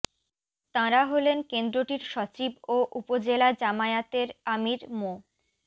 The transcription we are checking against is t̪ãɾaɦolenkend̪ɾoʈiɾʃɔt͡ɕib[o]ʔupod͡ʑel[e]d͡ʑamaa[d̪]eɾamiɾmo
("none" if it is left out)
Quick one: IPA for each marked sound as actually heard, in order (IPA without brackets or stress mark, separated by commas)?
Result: o, a, t̪